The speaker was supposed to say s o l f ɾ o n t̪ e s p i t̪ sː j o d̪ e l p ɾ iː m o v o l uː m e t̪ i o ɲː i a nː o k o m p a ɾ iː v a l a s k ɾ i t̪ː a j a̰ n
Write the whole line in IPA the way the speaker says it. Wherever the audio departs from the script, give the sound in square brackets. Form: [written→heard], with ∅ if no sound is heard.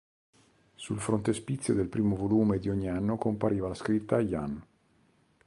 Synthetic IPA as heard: s [o→u] l f ɾ o n t̪ e s p i t̪ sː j o d̪ e l p ɾ iː m o v o l uː m e [t̪→d̪] i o ɲː i a nː o k o m p a ɾ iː v a l a s k ɾ i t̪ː a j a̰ n